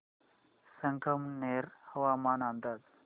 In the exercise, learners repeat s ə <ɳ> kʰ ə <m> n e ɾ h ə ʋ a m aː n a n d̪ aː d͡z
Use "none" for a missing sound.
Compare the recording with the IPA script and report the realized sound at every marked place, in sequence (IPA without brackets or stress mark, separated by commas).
ŋ, m